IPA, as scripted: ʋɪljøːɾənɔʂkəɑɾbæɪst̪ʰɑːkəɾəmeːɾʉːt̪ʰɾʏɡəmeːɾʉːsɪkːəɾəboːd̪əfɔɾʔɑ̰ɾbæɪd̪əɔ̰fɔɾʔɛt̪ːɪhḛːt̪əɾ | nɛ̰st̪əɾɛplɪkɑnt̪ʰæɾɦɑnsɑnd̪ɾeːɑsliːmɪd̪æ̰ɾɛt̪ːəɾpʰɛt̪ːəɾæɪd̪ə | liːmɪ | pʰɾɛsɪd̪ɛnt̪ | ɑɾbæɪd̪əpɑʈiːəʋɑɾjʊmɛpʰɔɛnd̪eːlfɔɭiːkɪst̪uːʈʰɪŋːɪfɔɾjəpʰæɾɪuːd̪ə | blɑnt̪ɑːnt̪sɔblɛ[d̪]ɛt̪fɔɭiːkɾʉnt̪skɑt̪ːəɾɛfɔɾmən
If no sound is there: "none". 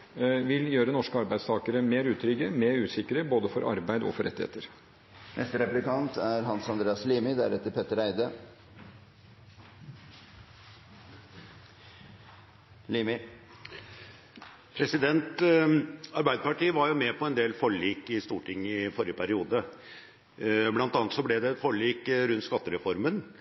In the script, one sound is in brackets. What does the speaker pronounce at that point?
d̪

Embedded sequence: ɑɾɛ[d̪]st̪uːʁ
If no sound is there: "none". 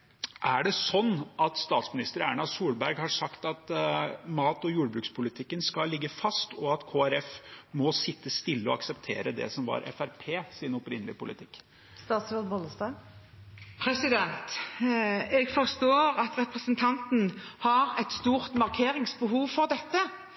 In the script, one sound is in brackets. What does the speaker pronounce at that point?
t̪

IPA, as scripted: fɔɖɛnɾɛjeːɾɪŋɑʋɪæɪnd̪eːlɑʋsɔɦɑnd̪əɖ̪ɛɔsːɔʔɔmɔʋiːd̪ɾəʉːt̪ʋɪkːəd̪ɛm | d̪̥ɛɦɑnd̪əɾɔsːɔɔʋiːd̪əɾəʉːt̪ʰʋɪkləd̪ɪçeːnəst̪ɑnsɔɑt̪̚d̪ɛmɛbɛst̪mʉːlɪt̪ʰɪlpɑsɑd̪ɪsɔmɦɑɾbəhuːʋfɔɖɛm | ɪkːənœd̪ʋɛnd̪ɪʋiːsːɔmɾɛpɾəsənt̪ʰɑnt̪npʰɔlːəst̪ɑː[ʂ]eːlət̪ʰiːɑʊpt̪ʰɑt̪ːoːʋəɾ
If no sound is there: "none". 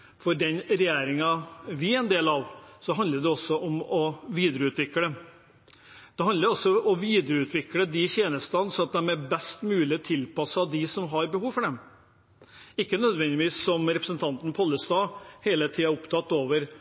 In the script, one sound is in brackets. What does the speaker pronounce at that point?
h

